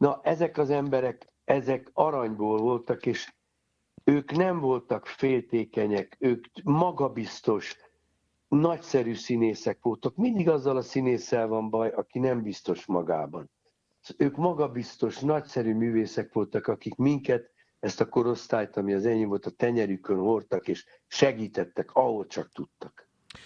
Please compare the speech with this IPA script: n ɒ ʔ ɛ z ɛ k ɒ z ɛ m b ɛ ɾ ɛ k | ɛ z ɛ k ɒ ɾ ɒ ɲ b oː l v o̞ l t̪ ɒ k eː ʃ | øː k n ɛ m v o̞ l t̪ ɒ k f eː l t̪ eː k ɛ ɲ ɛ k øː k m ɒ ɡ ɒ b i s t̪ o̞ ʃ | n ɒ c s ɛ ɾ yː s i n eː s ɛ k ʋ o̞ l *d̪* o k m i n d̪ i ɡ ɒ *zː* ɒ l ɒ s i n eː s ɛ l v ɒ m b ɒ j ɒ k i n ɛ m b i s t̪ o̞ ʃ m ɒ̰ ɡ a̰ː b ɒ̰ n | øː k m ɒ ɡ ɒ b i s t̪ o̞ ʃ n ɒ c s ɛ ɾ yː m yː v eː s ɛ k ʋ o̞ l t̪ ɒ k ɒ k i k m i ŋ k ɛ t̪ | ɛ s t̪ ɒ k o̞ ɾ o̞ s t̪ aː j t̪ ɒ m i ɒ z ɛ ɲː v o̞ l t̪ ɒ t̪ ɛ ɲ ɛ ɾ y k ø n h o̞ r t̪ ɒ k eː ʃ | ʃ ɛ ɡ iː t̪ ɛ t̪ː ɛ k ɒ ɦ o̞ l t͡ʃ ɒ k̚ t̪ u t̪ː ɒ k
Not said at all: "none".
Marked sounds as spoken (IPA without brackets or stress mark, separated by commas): t̪, zː